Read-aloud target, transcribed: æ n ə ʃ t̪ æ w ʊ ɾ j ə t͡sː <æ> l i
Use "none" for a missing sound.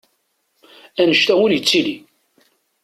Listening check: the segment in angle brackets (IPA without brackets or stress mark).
i